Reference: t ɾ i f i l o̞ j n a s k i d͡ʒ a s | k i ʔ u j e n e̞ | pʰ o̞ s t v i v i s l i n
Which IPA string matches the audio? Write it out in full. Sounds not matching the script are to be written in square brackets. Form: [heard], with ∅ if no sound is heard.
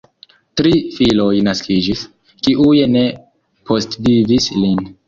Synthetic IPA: t ɾ i f i l o̞ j n a s k i d͡ʒ [i] s | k i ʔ u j e n e̞ | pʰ o̞ s t v i v i s l i n